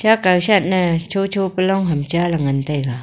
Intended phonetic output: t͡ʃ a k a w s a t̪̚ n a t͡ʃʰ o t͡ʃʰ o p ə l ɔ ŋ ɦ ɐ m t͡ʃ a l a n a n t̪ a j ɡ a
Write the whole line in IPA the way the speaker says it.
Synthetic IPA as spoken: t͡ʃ a k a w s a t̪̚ n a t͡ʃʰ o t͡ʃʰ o p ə l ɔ ŋ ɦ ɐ m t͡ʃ a l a ŋ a n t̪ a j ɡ a